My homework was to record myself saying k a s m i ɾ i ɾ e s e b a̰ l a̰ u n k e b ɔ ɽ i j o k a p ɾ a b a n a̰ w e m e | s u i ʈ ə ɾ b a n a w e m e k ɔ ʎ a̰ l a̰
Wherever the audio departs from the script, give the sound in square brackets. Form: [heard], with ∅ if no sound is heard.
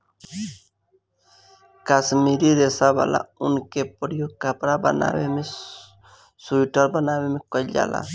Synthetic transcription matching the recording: k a s m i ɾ i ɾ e s [a] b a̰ l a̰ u n k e [p] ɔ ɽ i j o k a p ɾ a b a n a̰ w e m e | s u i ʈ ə ɾ b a n a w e m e k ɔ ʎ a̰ l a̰